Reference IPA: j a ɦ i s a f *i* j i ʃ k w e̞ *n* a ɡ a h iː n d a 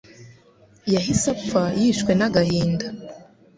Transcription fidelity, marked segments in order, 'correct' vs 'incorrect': incorrect: a, correct

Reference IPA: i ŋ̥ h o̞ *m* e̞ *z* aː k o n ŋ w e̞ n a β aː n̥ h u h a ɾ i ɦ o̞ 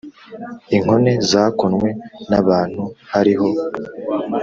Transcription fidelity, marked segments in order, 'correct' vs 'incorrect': incorrect: n, correct

